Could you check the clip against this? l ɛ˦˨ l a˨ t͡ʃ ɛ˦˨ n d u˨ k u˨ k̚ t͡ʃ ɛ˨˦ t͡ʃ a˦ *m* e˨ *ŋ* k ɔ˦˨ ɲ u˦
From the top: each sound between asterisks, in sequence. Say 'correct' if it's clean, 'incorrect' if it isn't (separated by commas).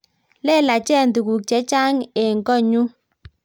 incorrect, correct